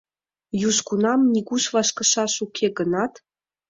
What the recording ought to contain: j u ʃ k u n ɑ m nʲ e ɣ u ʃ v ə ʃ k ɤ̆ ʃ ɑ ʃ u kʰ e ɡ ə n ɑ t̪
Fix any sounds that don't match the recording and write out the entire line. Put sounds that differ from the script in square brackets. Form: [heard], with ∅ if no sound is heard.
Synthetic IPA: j u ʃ k u n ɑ m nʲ [i] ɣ u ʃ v [ɑ] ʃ k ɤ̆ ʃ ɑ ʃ u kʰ e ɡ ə n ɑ t̪